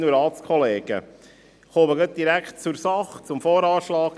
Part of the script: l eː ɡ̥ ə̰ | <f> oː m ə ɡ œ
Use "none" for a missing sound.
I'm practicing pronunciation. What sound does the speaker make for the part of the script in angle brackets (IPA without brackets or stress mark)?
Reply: χ